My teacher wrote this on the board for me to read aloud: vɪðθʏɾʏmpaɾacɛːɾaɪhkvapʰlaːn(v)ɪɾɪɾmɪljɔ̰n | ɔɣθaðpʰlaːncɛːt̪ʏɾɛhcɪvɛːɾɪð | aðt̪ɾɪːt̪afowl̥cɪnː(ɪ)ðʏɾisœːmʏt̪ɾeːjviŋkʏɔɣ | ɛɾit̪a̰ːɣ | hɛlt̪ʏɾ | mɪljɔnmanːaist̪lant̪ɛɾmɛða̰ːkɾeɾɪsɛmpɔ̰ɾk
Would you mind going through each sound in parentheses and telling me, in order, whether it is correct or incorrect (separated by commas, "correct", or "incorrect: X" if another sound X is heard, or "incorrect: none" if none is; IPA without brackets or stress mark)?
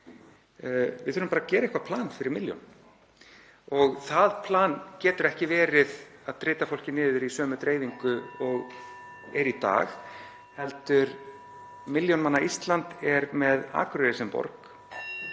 incorrect: f, incorrect: ɪː